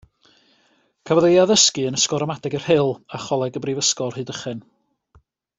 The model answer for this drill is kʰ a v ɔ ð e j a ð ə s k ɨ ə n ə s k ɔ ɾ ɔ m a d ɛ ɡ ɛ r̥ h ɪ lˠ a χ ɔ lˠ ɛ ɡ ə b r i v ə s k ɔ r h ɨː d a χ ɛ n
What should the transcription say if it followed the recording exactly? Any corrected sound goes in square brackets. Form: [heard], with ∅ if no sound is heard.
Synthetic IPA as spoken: kʰ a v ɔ ð e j a ð ə s k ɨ ə n ə s k ɔ ɾ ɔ m a d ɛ ɡ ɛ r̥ h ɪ lˠ a χ ɔ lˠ ɛ ɡ ə b r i v ə s k ɔ r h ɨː d [ə] χ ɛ n